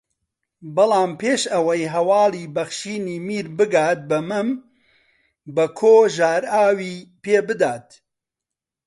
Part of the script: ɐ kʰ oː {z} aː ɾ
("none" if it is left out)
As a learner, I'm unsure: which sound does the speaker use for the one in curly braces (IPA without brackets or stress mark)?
ʒ